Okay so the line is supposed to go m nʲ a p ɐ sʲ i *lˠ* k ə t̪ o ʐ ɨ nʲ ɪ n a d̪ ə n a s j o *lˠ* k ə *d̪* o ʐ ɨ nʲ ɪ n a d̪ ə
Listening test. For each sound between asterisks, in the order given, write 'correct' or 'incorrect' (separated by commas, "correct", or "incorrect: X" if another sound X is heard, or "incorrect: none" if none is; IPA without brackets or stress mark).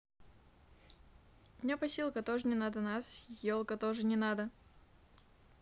correct, correct, incorrect: t̪